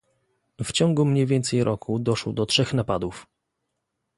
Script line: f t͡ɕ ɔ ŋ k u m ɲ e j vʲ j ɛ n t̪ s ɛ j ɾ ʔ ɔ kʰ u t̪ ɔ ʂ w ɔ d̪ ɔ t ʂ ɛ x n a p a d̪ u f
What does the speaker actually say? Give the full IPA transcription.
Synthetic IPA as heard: f t͡ɕ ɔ ŋ ɡ u m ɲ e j vʲ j ɛ n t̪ s ɛ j ɾ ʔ ɔ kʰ u d̪ ɔ ʂ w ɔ d̪ ɔ t ʂ ɛ x n a p a d̪ u f